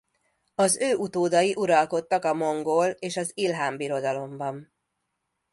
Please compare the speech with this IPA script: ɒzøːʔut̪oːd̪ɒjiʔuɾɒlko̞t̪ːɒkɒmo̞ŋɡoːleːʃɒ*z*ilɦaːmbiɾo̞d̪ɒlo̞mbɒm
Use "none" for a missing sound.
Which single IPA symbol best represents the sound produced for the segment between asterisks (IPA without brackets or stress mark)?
z